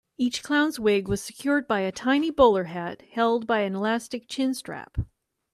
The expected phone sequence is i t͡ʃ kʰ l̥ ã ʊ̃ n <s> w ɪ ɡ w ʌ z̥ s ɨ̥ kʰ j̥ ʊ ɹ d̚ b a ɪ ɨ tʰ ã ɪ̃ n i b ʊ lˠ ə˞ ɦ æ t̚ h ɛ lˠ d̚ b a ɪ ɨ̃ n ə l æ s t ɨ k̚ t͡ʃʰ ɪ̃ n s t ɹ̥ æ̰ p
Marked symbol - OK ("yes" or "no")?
no